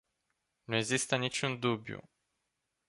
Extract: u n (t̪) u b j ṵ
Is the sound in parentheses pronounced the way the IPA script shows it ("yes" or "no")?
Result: no